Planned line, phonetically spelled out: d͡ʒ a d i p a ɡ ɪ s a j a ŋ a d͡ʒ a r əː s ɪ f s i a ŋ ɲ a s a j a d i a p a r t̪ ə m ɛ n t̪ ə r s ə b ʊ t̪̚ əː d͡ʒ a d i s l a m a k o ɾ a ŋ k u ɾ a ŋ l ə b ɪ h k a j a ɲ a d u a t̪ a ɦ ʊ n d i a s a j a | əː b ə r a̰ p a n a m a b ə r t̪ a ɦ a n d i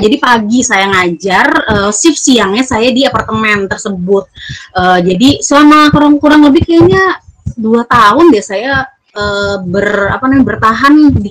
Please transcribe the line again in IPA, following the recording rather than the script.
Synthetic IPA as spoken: d͡ʒ a d i p a ɡ i s a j a ŋ a d͡ʒ a r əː s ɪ f s i a ŋ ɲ a s a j a d i a p a r t̪ ə m ɛ n t̪ ə r s ə b ʊ t̪̚ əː d͡ʒ a d i s l a m a k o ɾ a ŋ k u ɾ a ŋ l ə b ɪ h k a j a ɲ a d u a t̪ a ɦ ʊ n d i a s a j a | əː b ə r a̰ p a n a m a b ə r t̪ a ɦ a n d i